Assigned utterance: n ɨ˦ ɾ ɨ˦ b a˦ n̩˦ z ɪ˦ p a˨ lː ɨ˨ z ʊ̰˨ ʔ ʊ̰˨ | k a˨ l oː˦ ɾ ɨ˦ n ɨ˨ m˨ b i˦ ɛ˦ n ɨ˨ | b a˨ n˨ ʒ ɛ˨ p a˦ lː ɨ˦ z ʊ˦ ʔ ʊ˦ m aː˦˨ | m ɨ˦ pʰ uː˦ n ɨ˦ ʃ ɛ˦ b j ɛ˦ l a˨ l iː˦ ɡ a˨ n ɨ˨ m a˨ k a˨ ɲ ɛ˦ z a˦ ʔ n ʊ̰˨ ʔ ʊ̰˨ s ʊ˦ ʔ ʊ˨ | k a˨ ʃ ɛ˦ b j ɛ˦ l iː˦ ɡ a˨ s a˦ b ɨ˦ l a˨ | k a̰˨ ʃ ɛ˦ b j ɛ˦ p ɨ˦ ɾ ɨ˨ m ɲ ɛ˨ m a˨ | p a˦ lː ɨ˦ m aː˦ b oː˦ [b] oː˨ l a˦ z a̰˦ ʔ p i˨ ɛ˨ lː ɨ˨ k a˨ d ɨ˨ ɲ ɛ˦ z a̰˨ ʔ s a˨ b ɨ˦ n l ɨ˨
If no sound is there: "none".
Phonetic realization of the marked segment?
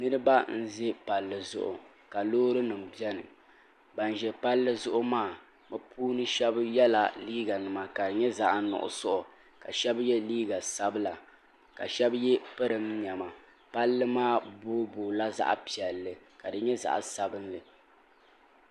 b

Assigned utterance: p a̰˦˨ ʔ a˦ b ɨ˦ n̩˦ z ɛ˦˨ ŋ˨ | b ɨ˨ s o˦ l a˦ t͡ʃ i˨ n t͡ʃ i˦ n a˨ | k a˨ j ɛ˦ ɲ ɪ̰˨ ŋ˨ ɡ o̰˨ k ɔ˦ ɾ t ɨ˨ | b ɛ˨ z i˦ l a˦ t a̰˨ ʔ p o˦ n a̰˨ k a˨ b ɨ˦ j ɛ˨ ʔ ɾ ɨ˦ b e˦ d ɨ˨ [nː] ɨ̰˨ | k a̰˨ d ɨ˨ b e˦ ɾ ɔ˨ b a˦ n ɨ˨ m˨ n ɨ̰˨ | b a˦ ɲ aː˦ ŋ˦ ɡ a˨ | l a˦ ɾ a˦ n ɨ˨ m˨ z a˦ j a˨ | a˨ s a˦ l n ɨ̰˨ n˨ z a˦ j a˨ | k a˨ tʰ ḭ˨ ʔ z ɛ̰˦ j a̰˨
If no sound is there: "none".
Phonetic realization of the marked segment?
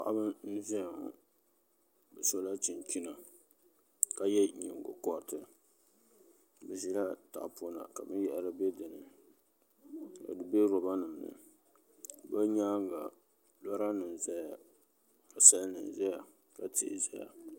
n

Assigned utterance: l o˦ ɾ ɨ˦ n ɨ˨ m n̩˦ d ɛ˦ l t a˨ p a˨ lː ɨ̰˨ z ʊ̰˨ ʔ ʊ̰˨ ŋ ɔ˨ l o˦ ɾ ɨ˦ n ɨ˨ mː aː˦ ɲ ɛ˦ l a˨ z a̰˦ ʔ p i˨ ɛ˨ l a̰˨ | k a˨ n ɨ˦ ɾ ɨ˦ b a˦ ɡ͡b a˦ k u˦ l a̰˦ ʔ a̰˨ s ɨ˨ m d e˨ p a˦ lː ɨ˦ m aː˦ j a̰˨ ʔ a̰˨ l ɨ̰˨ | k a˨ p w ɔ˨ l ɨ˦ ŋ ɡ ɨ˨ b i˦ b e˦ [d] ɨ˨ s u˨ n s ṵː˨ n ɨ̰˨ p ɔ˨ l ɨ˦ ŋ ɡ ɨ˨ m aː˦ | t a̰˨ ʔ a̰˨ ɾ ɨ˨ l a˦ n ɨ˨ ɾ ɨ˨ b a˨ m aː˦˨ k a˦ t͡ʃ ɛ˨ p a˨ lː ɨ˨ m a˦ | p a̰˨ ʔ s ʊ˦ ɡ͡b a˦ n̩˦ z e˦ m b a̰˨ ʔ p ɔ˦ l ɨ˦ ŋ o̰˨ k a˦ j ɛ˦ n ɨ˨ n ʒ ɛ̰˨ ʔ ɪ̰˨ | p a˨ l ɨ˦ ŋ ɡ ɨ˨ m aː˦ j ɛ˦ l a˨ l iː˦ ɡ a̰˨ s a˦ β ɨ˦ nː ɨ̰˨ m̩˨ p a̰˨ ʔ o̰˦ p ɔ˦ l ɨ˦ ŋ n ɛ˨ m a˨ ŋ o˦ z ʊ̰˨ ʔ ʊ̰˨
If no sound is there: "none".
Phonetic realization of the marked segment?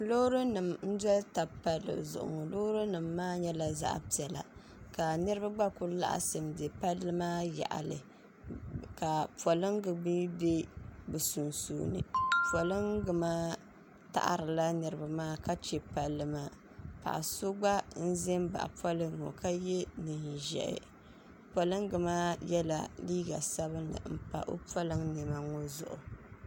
b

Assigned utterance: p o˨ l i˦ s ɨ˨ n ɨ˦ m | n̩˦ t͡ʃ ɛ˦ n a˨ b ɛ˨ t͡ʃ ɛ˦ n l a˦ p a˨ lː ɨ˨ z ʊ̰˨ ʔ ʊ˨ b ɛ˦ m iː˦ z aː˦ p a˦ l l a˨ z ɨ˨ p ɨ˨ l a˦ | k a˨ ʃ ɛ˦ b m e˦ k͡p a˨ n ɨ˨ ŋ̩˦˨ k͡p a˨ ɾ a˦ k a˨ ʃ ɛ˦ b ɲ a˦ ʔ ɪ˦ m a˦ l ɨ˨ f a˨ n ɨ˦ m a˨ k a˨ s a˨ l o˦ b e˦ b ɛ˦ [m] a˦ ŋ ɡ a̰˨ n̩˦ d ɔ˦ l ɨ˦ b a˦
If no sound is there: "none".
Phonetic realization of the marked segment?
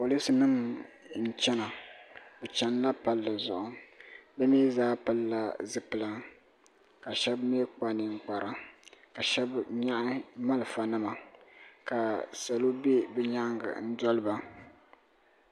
ɲ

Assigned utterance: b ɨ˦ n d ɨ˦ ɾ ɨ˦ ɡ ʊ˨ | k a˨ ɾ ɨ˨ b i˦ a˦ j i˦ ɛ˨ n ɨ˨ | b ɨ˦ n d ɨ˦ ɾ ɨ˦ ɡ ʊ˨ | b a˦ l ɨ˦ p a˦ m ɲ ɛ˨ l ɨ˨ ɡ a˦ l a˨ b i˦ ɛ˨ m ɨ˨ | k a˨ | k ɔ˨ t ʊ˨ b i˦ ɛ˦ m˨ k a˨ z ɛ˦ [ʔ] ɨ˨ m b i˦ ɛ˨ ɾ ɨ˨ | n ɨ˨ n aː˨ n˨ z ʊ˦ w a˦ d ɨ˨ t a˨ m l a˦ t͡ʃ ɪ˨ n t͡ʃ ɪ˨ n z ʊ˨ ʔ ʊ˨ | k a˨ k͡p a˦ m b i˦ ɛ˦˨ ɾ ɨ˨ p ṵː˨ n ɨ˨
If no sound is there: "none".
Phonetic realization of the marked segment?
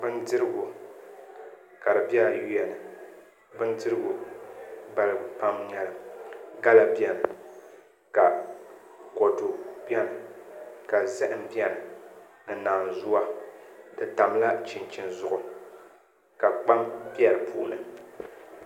ʔ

